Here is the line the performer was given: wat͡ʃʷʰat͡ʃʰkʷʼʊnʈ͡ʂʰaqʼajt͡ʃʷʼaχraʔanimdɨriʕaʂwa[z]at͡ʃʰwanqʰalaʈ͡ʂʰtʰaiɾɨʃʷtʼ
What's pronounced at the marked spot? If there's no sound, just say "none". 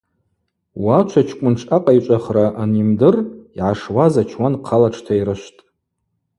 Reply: z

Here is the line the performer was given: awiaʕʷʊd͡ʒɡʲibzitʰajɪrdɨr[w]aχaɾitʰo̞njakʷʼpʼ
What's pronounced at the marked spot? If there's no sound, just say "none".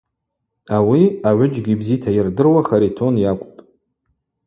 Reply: w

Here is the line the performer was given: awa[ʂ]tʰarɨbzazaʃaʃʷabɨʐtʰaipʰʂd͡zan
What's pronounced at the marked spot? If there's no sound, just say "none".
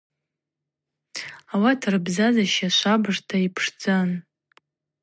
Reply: none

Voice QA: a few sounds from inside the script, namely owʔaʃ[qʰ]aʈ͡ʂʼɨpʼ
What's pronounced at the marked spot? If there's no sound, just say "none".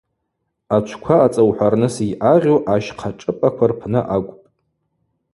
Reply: qʰ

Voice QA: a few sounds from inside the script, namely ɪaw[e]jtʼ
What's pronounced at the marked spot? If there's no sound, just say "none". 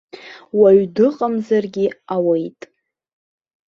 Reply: e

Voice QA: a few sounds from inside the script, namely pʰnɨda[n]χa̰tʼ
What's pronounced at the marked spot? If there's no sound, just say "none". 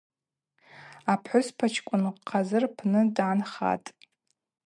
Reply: n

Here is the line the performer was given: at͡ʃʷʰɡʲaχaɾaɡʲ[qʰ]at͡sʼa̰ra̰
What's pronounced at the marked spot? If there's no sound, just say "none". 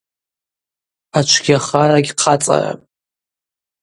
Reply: qʰ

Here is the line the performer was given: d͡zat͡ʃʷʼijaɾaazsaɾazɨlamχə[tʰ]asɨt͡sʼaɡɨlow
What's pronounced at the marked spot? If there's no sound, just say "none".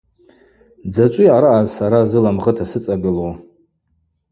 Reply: tʰ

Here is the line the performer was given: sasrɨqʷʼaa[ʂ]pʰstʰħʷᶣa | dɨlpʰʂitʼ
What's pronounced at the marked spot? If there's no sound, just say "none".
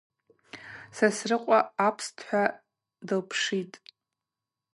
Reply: none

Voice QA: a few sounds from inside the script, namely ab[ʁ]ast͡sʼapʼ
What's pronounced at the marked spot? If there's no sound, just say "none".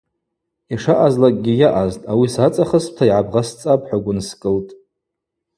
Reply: ʁ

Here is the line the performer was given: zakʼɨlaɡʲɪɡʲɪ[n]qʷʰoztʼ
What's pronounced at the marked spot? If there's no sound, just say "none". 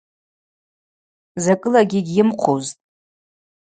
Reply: m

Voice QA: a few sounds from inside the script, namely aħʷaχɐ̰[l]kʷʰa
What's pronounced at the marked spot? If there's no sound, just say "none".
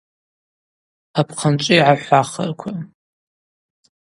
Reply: r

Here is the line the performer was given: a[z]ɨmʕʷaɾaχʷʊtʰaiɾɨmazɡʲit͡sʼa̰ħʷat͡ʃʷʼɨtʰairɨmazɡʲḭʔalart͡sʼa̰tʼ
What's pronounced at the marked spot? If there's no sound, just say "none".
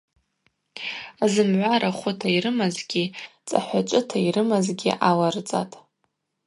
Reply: z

